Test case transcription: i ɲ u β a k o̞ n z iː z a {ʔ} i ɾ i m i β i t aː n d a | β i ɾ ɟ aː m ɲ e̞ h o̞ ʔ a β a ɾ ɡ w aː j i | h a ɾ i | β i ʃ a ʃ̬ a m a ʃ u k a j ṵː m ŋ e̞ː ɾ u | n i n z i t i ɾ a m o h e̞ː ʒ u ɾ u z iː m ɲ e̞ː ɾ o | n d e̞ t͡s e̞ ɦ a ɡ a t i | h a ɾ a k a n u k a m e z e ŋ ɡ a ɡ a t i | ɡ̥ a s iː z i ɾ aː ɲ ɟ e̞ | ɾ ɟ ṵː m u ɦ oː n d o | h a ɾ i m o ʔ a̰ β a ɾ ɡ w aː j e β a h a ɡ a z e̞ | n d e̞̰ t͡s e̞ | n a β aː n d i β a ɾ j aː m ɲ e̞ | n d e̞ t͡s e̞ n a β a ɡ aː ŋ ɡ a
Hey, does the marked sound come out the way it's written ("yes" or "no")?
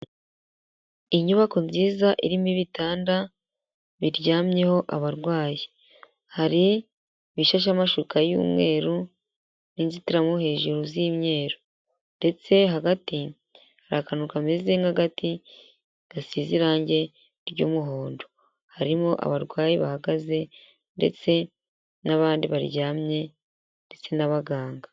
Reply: yes